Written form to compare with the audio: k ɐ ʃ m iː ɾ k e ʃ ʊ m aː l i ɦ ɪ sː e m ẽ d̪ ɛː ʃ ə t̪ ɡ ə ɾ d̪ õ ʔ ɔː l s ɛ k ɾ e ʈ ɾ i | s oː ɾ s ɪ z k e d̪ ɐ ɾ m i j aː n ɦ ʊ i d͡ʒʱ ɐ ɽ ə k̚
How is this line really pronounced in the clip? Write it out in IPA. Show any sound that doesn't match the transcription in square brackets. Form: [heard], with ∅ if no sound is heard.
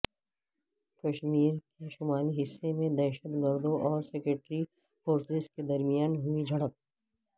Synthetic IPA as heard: k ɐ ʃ m iː ɾ k e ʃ ʊ m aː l i ɦ ɪ sː e m ẽ d̪ ɛː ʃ ə t̪ ɡ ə ɾ d̪ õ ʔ ɔː [ɾ] s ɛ k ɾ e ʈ ɾ i | [f] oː ɾ s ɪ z k e d̪ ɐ ɾ m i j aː n ɦ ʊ i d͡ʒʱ ɐ ɽ ə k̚